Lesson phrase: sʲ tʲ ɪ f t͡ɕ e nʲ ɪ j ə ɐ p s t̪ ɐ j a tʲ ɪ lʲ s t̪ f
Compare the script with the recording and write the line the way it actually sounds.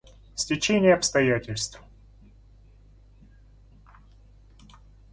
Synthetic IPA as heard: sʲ tʲ ɪ t͡ɕ e nʲ ɪ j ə ɐ p s t̪ ɐ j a tʲ ɪ lʲ s t̪ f

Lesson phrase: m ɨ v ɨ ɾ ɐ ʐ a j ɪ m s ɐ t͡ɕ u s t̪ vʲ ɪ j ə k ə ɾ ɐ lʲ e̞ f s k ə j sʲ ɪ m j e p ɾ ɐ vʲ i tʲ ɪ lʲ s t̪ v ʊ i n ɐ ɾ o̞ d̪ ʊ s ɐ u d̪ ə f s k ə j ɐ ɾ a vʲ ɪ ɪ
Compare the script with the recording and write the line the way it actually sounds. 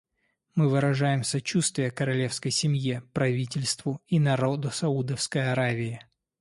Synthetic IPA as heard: m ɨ v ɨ ɾ ɐ ʐ a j ɪ m s ɐ t͡ɕ u s t̪ vʲ ɪ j ə k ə ɾ ɐ lʲ e̞ f s k ə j sʲ ɪ m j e p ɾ ɐ vʲ i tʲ ɪ lʲ s t̪ v ʊ i n ɐ ɾ o̞ d̪ ʊ s ɐ u d̪ ə f s k ə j ɐ ɾ a vʲ ɪ ɪ

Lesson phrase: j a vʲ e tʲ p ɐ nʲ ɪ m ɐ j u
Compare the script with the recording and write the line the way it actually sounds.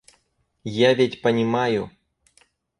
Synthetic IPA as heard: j a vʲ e tʲ p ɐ nʲ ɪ m a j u

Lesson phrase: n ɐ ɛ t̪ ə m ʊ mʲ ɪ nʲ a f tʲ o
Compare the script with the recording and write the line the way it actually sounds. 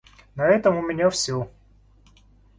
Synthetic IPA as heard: n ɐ ɛ t̪ ə m ʊ mʲ ɪ nʲ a f sʲ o

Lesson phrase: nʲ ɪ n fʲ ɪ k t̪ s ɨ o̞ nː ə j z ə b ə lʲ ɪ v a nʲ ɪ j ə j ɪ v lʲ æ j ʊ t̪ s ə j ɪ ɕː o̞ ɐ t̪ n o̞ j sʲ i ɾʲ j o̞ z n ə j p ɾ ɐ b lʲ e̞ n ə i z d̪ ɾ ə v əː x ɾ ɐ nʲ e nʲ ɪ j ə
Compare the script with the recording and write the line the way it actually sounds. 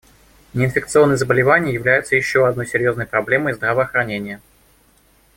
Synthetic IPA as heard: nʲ ɪ n fʲ ɪ k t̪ s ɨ o̞ nː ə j z ə b ə lʲ ɪ v a nʲ ɪ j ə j ɪ v lʲ æ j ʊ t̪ s ə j ɪ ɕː o̞ ɐ d̪ n o̞ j sʲ ɪ ɾʲ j o̞ z n ə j p ɾ ɐ b lʲ e̞ m ə j z d̪ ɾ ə v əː x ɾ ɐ nʲ e nʲ ɪ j ə

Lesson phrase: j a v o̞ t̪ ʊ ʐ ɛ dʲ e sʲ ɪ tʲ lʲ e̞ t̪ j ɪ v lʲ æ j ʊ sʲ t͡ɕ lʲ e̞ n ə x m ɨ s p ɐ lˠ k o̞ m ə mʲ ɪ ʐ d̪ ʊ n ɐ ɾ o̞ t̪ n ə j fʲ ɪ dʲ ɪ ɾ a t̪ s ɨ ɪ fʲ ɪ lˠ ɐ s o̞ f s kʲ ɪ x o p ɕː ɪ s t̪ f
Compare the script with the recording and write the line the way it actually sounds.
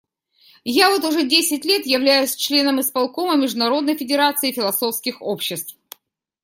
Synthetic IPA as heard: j a v o̞ t̪ ʊ ʐ ɛ dʲ e sʲ ɪ tʲ lʲ e̞ t̪ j ɪ v lʲ æ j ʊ sʲ t͡ɕ lʲ e̞ n ə m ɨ s p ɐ lˠ k o̞ m ə mʲ ɪ ʐ d̪ ʊ n ɐ ɾ o̞ d̪ n ə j fʲ ɪ dʲ ɪ ɾ a t̪ s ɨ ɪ fʲ ɪ lˠ ɐ s o̞ f s kʲ ɪ x o p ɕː ɪ s t̪ f

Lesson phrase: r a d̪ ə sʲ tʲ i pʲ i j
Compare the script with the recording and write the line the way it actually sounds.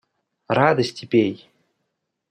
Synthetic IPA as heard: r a d̪ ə sʲ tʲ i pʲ e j

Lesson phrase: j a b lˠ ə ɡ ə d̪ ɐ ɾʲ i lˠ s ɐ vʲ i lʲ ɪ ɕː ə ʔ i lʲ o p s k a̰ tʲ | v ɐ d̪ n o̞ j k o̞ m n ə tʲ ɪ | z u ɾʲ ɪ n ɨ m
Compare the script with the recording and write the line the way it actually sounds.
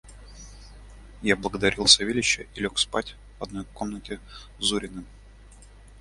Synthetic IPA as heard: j a b lˠ ə ɡ ə d̪ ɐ ɾʲ i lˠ s ɐ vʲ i lʲ ɪ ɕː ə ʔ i lʲ o k s p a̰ tʲ | v ɐ d̪ n o̞ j k o̞ m n ə tʲ ɪ | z u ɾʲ ɪ n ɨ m

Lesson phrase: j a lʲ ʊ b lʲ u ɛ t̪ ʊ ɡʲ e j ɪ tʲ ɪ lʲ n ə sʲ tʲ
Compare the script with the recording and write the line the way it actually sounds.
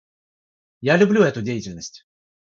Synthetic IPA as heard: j a lʲ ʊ b lʲ u ɛ t̪ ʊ dʲ e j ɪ tʲ ɪ lʲ n ə sʲ tʲ

